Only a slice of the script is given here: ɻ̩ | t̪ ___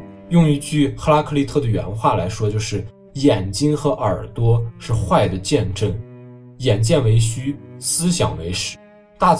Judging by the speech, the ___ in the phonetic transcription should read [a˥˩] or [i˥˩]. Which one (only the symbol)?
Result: a˥˩